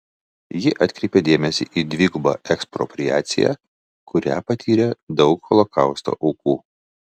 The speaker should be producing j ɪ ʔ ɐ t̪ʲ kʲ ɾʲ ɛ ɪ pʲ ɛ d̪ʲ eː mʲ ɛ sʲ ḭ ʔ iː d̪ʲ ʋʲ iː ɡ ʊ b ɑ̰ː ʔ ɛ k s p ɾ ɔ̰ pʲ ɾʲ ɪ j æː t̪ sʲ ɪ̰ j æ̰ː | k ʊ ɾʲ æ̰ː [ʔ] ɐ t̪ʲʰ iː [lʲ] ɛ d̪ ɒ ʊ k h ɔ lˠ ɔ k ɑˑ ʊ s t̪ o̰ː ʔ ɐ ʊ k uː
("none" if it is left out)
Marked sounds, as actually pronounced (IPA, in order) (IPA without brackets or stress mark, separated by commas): p, ɾʲ